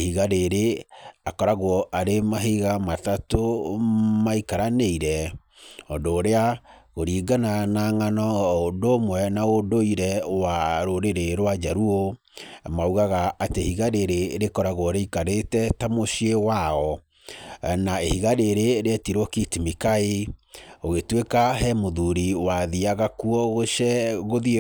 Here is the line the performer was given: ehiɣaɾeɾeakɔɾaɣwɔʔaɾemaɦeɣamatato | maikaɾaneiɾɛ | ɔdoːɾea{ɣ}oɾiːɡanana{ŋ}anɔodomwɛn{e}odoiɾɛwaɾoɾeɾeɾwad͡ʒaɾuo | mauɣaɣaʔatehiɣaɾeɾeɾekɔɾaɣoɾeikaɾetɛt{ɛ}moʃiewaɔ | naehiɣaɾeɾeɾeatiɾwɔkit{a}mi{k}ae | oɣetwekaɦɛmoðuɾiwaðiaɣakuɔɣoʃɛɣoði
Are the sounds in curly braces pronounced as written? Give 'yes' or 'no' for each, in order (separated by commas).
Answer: yes, yes, no, no, no, yes